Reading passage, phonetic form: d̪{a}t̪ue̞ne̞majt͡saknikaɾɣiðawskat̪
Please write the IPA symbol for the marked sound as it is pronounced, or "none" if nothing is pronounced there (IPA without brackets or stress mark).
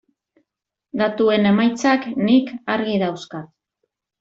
a